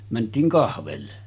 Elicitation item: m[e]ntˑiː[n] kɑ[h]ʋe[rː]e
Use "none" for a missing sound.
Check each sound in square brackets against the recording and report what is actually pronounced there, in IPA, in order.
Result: æ, ŋ, h, lː

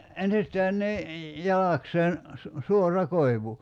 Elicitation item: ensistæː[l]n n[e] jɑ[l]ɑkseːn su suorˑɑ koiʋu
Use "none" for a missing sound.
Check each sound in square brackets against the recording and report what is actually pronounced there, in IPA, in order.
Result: none, i, l

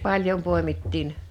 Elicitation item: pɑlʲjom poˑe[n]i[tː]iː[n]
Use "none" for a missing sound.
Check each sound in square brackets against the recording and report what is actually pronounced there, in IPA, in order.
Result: m, tː, n

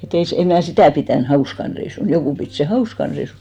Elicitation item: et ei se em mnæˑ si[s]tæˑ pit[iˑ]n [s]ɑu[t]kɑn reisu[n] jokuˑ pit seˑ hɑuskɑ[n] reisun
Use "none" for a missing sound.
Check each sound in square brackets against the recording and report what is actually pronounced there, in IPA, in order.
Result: none, æˑ, h, s, n, n

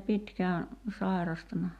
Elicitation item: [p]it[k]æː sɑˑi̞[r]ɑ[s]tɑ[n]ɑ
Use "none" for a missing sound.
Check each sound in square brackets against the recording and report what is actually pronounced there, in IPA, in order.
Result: p, k, r, s, n

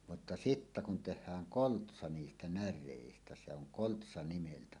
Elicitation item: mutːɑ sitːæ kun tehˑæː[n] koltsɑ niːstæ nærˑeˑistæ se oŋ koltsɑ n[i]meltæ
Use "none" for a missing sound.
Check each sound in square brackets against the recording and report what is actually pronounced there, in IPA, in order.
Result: ŋ, i

